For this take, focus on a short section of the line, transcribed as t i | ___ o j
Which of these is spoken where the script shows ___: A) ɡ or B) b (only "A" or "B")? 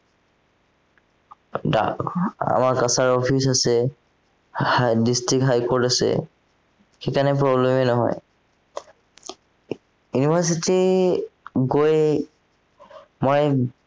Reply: A